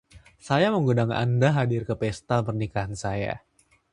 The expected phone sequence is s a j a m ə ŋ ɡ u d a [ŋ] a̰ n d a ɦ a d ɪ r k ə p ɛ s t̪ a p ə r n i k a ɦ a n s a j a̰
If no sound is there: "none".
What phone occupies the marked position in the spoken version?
ŋ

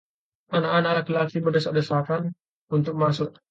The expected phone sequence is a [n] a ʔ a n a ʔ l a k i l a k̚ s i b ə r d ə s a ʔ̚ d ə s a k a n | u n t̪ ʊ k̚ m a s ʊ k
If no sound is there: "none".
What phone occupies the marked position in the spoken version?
n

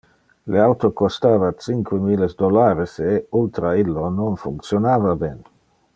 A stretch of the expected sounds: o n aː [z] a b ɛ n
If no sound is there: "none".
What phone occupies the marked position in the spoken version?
v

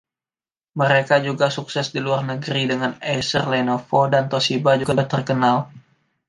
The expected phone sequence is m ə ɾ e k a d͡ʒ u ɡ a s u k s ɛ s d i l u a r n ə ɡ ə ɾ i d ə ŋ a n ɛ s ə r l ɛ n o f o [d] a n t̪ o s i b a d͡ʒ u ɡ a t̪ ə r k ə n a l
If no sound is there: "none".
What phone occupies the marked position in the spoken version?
d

